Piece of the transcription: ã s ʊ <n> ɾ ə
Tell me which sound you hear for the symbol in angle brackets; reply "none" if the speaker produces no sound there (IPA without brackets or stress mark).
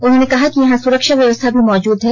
none